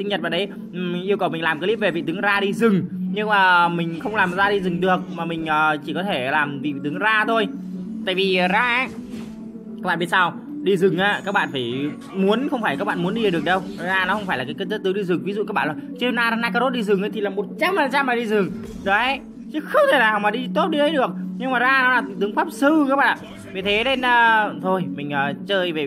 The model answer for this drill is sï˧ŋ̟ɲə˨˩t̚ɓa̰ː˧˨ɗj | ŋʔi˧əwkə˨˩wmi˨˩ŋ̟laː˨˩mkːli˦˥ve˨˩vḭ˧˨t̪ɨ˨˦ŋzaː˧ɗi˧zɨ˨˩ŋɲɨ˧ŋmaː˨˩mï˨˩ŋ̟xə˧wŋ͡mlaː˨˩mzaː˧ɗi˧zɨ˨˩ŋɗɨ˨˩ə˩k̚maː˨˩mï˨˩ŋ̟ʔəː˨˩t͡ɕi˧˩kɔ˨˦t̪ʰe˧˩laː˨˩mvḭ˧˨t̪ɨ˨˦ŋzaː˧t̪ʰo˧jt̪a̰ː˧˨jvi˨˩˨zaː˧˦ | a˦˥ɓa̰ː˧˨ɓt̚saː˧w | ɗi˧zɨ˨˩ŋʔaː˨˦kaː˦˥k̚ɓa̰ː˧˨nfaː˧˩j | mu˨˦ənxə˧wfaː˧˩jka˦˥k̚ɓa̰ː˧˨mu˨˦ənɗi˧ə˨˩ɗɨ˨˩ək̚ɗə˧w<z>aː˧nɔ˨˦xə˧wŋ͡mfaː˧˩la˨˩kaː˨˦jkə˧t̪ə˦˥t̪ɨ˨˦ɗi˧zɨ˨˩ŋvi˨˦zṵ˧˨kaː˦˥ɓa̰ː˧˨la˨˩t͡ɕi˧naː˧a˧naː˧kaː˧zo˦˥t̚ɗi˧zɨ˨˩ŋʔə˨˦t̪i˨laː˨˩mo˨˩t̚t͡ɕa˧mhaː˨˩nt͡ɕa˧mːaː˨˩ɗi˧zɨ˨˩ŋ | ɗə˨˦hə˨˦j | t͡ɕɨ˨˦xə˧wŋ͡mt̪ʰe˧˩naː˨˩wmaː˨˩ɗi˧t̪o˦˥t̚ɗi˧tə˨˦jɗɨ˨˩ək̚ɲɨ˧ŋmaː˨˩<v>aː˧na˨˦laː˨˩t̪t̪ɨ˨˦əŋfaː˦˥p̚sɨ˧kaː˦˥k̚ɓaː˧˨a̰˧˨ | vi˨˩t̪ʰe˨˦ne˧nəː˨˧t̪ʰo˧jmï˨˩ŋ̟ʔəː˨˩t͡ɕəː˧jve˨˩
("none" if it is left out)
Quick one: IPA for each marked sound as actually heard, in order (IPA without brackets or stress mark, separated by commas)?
z, z